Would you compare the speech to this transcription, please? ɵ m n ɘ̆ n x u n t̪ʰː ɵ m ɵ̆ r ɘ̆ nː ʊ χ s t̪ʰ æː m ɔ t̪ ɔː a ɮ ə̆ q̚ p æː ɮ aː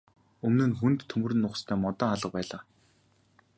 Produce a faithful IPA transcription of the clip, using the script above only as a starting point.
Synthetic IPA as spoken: ɵ m n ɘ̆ n x u n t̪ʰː ɵ m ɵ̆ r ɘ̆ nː ʊ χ s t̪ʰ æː m ɔ t̪ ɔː a ɮ ə̆ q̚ p æː ɮ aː